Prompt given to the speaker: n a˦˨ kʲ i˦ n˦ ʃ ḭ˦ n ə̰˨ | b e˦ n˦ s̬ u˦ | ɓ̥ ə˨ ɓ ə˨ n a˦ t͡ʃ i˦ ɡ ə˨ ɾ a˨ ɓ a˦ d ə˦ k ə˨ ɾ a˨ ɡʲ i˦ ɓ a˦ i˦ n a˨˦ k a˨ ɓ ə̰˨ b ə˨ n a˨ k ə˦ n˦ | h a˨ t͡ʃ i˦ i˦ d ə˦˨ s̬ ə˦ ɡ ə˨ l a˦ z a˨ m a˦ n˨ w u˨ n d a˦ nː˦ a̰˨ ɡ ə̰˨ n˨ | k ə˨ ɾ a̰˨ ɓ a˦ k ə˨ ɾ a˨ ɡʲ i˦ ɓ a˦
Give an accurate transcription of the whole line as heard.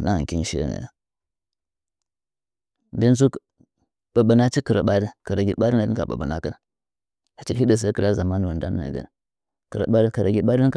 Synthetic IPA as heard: n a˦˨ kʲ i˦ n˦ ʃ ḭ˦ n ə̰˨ | b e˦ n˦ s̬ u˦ | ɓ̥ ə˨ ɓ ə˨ n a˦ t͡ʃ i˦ k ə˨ ɾ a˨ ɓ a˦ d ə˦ k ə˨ ɾ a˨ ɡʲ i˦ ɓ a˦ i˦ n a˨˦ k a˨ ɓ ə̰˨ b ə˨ n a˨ k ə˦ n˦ | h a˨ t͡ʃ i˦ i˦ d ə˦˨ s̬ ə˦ k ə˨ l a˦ z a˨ m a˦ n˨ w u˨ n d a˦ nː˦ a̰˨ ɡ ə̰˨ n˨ | k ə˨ ɾ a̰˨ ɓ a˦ k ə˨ ɾ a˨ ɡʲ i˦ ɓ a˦